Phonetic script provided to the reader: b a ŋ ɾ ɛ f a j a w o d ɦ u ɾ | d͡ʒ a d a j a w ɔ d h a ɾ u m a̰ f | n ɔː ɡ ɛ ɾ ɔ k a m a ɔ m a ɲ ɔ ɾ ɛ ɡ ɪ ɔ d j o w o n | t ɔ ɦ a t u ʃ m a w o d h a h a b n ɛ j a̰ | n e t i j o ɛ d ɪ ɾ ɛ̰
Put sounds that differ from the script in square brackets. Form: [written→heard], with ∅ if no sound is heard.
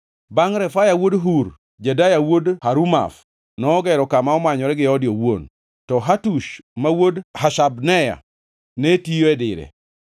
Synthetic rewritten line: b a ŋ ɾ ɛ f a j a w o d ɦ u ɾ | d͡ʒ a d a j a w [ɔ→o] d h a ɾ u m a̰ f | n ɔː ɡ ɛ ɾ ɔ k a m a ɔ m a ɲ ɔ ɾ ɛ ɡ ɪ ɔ d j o w o n | t ɔ ɦ a t u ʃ m a w o d h a [h→ʃ] a b n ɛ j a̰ | n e t i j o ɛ d ɪ ɾ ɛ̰